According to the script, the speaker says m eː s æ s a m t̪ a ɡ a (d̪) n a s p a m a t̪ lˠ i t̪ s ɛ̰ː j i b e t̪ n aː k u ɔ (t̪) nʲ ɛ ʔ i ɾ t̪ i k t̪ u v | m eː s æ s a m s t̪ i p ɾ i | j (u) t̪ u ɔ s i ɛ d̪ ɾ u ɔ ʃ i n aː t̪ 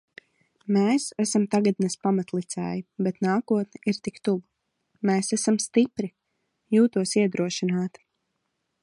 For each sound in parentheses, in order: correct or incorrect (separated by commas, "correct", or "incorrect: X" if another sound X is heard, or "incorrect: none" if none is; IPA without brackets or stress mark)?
correct, correct, incorrect: uː